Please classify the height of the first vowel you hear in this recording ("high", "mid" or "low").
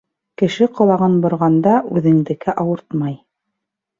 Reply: mid